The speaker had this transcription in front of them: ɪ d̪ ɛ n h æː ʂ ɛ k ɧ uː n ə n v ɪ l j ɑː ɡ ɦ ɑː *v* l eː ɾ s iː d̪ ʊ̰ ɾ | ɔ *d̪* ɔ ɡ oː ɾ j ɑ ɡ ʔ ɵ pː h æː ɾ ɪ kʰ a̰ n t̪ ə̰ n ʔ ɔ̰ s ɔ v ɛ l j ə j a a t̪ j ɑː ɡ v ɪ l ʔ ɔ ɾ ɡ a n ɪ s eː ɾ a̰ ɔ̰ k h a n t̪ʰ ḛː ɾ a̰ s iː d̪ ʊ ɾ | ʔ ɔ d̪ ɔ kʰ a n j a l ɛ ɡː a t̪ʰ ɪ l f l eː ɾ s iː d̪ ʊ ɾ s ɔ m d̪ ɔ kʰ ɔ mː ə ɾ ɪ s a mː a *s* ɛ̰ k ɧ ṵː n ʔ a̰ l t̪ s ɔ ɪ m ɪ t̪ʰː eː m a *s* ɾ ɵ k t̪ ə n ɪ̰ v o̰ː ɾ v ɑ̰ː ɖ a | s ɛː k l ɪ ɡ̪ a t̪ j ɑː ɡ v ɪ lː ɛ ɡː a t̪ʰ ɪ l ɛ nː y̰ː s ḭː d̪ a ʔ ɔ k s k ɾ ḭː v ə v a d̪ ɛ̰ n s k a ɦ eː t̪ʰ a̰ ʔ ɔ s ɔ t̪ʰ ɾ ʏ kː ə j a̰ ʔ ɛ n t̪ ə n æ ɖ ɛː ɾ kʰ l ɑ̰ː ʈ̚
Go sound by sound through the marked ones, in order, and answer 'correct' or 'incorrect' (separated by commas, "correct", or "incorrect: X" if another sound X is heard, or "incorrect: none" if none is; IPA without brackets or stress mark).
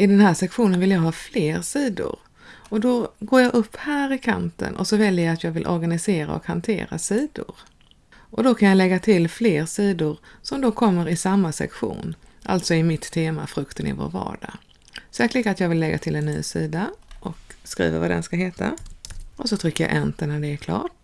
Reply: incorrect: f, correct, correct, incorrect: f